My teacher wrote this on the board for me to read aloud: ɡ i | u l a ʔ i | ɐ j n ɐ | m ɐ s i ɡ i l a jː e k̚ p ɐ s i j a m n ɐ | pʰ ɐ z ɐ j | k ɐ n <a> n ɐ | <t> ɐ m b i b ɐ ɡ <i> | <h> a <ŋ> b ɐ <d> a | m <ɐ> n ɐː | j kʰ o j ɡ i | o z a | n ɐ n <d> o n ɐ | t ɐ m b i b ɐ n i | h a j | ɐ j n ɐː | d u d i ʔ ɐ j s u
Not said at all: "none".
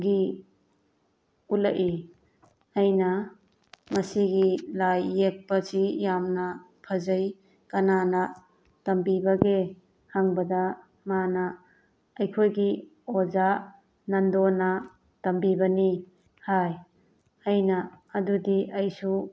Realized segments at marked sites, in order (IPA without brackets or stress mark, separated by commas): a, t, e, h, ŋ, d, a, d